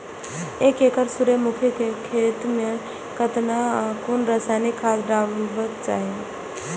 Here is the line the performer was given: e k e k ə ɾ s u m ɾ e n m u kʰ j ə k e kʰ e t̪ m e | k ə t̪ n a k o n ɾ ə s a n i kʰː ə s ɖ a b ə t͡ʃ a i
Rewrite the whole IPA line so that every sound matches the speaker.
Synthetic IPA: e k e k ə ɾ s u ɾ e m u kʰ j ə k e kʰ e t̪ m e | k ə t̪ n a k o n ɾ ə s a n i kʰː a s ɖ a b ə t͡ʃ a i